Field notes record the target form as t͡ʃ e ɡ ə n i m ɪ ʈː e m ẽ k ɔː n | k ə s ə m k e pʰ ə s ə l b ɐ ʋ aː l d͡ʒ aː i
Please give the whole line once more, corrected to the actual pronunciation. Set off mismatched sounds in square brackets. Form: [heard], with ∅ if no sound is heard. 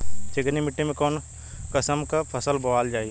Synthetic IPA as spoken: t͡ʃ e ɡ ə n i m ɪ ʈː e m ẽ k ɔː n | k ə s ə m k [a] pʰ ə s ə l b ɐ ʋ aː l d͡ʒ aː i